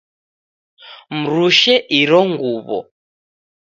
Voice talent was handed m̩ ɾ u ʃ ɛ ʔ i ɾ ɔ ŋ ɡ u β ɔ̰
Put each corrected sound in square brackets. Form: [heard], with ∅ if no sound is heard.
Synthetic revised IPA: m̩ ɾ u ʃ ɛ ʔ i ɾ ɔ ŋ ɡ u β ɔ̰